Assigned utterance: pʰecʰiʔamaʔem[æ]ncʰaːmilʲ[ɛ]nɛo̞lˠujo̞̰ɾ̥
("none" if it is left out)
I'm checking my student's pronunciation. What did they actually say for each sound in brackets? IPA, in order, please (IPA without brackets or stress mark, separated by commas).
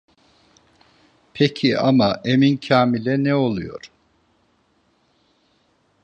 i, ɛ